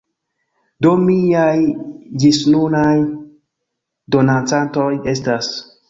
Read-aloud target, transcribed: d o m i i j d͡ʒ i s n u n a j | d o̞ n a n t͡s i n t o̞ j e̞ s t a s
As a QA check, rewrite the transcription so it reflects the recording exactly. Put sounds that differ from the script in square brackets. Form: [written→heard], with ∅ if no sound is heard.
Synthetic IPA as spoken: d o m i [i→a] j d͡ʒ i s n u n a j | d o̞ n a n t͡s [i→a] n t o̞ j e̞ s t a s